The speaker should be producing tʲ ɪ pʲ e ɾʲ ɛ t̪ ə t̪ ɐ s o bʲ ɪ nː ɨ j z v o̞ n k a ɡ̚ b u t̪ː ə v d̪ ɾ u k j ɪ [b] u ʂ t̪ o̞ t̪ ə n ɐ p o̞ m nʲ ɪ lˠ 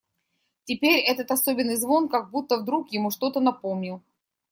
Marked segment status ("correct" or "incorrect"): incorrect